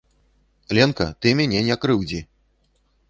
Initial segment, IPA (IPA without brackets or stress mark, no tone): lʲ